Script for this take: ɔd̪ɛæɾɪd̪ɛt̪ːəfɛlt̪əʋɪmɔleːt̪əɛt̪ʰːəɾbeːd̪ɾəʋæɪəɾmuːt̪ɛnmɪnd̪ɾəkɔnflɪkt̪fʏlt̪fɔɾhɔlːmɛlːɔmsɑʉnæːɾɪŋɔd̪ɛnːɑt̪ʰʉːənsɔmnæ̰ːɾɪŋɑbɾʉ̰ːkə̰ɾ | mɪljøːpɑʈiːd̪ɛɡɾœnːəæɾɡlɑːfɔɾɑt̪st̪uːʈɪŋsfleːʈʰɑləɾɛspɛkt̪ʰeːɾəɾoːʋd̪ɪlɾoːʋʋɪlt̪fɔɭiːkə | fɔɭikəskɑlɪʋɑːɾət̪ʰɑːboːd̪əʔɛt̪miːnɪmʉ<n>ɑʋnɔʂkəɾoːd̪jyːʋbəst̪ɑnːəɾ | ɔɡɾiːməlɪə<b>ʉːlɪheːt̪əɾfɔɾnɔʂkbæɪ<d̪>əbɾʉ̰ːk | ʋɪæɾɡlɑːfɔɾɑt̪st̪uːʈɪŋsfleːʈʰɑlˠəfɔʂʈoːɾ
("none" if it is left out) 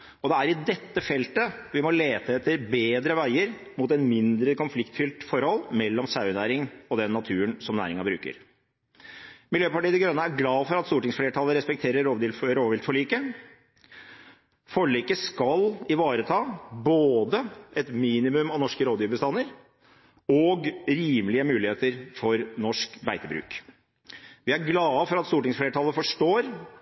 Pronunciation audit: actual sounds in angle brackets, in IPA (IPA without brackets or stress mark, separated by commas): m, m, t̪